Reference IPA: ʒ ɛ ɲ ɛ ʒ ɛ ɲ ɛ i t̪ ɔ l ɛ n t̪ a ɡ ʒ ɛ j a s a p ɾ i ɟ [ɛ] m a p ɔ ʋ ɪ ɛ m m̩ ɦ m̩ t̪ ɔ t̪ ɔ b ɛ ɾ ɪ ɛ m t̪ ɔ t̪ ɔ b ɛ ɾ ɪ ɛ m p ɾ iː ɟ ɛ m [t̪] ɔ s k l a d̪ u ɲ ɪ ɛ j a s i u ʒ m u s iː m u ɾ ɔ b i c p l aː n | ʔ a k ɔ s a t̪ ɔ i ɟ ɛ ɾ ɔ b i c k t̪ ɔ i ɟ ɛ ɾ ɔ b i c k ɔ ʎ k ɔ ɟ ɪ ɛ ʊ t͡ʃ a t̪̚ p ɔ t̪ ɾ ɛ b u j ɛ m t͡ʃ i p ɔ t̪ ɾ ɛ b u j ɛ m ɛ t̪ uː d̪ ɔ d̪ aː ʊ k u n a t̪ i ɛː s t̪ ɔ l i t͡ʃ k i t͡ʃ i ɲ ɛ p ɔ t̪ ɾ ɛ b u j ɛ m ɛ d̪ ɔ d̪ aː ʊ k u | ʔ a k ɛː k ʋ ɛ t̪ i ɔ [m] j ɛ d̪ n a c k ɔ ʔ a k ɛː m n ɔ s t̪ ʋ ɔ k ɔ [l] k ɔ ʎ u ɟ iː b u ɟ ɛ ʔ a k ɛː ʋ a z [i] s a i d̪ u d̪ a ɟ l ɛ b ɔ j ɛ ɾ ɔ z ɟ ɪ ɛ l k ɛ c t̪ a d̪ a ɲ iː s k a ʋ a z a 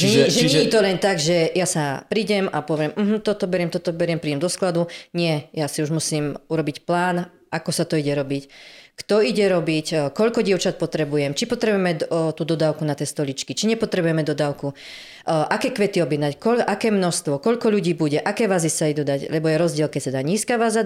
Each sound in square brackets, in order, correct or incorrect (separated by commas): correct, incorrect, incorrect, incorrect, correct